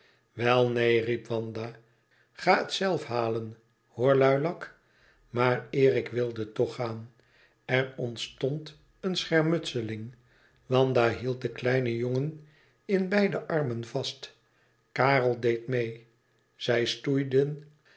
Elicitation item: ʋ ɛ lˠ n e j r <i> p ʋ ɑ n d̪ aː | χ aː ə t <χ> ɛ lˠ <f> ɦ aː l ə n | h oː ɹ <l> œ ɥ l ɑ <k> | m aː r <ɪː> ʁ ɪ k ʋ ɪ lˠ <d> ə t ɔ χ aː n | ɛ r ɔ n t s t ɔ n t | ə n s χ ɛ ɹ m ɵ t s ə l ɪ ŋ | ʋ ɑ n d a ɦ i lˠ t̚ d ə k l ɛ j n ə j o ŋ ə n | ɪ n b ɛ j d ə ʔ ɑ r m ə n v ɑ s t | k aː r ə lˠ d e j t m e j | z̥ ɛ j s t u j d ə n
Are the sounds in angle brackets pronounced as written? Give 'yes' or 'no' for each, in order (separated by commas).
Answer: yes, no, yes, yes, yes, yes, yes